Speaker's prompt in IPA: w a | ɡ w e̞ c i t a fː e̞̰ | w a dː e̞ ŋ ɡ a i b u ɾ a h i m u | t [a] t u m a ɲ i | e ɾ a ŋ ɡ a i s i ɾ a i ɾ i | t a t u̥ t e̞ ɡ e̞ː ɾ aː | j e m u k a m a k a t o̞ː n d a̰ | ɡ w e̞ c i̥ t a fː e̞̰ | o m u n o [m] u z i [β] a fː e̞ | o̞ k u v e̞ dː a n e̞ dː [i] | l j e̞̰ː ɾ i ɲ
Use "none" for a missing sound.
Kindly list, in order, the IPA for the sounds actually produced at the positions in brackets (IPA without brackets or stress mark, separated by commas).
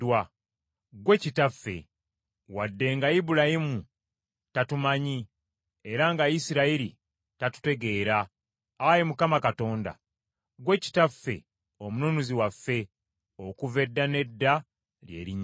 a, n, w, a